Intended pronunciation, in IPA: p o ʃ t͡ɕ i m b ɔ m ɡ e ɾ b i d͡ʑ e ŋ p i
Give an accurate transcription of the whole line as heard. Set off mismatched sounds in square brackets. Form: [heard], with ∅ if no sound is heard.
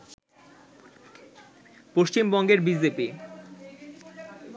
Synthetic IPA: p o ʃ t͡ɕ i m b ɔ [ŋ] ɡ e ɾ b i d͡ʑ e [∅] p i

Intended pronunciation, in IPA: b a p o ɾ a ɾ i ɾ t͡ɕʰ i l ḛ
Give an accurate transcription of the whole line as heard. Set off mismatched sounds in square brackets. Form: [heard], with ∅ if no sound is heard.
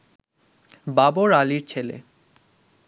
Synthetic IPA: b a [b] o ɾ a [l] i ɾ t͡ɕʰ [e] l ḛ

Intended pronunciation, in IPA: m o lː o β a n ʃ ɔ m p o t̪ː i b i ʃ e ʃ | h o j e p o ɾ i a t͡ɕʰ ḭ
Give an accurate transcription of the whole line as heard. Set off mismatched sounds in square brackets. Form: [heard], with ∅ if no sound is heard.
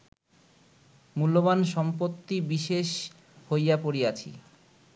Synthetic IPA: m [u] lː o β a n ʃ ɔ m p o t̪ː i b i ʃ e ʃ | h o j [a] p o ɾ i a t͡ɕʰ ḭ

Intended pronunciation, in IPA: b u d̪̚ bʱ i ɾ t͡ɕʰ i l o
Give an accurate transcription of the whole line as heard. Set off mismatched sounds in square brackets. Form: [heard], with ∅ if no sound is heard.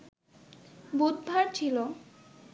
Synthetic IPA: b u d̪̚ bʱ [a] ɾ t͡ɕʰ i l o

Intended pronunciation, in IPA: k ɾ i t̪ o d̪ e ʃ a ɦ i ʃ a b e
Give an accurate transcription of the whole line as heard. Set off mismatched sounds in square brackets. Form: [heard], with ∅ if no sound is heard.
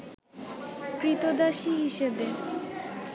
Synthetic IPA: k ɾ i t̪ o d̪ [a] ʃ [i] ɦ i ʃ [e] b e

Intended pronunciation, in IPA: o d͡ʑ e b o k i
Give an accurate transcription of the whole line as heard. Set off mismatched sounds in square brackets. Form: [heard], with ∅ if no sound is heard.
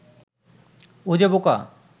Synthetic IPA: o d͡ʑ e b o k [a]

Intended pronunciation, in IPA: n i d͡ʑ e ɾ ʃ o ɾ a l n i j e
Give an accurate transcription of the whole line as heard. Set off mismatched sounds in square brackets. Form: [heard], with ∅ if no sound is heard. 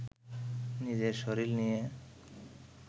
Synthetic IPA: n i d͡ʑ e ɾ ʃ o ɾ [i] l n i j e

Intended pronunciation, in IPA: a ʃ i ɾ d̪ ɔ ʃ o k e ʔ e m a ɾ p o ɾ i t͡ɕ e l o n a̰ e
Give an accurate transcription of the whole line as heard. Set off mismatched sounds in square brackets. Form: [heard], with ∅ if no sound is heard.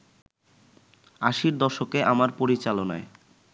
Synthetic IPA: a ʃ i ɾ d̪ ɔ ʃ o k e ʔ [a] m a ɾ p o ɾ i t͡ɕ [a] l o n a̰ e

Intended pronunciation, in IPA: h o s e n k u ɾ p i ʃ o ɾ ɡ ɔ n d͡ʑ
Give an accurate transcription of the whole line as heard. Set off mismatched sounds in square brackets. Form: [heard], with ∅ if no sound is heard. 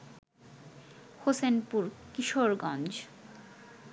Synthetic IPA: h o s e n [p] u ɾ [k] i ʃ o ɾ ɡ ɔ n d͡ʑ

